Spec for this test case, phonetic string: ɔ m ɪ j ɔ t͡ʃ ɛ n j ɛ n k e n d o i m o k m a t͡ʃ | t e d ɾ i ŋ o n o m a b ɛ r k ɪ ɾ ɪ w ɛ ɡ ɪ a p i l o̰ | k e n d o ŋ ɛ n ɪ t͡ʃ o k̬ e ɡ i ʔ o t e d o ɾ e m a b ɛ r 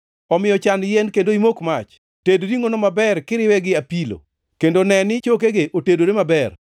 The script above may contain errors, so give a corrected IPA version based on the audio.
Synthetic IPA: ɔ m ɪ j ɔ t͡ʃ a n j ɛ n k e n d o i m o k m a t͡ʃ | t e d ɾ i ŋ o n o m a b ɛ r k ɪ ɾ ɪ w ɛ ɡ ɪ a p i l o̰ | k e n d o n ɛ n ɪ t͡ʃ o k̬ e ɡ e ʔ o t e d o ɾ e m a b ɛ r

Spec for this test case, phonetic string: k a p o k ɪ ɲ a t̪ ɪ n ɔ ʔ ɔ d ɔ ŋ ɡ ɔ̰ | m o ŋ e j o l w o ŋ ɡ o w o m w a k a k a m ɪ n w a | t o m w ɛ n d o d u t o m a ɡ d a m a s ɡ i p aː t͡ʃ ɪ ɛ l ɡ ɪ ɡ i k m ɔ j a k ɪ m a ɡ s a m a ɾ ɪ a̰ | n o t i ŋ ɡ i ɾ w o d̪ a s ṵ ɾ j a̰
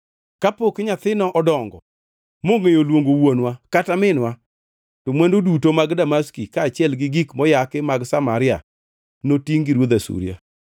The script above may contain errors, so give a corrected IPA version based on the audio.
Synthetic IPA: k a p o k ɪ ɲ a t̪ ɪ n ɔ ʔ ɔ d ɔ ŋ ɡ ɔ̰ | m o ŋ e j o l w o ŋ ɡ o w o n w a k a t a m ɪ n w a | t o m w ɛ n d o d u t o m a ɡ d a m a s k i k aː t͡ʃ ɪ ɛ l ɡ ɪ ɡ i k m ɔ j a k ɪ m a ɡ s a m a ɾ ɪ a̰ | n o t i ŋ ɡ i ɾ w o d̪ a s ṵ ɾ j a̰

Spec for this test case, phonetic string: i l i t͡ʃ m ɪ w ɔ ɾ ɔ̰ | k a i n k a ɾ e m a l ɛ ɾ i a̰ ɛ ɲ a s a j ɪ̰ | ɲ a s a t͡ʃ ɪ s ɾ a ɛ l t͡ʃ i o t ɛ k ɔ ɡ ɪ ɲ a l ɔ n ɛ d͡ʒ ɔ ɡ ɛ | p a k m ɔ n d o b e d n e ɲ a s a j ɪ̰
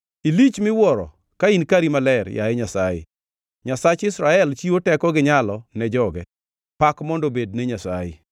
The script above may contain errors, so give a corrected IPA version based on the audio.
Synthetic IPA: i l i t͡ʃ m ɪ w ɔ ɾ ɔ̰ | k a i n k a ɾ i m a l ɛ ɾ j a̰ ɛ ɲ a s a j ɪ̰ | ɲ a s a t͡ʃ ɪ s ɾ a ɛ l t͡ʃ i o t ɛ k ɔ ɡ ɪ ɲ a l ɔ n ɛ d͡ʒ ɔ ɡ ɛ | p a k m ɔ n d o b e d n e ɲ a s a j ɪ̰

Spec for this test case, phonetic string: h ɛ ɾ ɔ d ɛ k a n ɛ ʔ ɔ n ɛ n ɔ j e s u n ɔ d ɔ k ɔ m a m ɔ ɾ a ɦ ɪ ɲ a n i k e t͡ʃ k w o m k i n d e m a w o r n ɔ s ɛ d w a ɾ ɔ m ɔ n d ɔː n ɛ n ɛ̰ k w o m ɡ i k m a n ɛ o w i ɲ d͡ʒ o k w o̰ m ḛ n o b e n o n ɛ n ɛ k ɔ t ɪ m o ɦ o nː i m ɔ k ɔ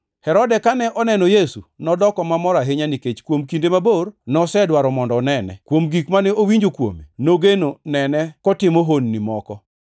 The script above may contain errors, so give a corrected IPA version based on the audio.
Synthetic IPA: h ɛ ɾ ɔ d ɛ k a n ɛ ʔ ɔ n ɛ n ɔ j e s u n ɔ d ɔ k ɔ m a m ɔ ɾ a ɦ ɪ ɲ a n i k e t͡ʃ k w o m k i n d e m a b o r n ɔ s ɛ d w a ɾ ɔ m ɔ n d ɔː n ɛ n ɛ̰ k w o m ɡ i k m a n ɛ o w i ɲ d͡ʒ o k w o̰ m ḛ n o ɡ e n o n ɛ n ɛ k ɔ t ɪ m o ɦ o nː i m ɔ k ɔ

